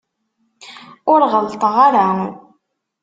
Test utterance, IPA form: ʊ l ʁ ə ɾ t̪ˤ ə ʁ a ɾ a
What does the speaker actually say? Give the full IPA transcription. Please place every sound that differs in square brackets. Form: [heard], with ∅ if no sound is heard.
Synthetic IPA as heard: ʊ [ɾ] ʁ ə [l] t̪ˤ ə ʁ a ɾ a